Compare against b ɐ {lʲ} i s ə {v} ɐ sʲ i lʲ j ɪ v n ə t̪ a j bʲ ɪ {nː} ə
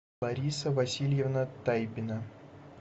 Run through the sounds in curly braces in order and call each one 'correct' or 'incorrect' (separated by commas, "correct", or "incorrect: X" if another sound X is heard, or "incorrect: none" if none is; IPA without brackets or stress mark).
incorrect: ɾʲ, correct, incorrect: n